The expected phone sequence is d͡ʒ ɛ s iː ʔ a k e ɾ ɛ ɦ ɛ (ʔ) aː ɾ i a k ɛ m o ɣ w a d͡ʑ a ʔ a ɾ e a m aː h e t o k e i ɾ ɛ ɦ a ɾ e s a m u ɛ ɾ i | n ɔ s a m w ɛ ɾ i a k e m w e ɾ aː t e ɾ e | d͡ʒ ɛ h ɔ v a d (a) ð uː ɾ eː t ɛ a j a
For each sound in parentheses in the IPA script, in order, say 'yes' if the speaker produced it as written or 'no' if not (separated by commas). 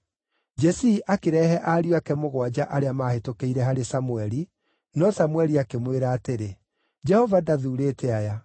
yes, yes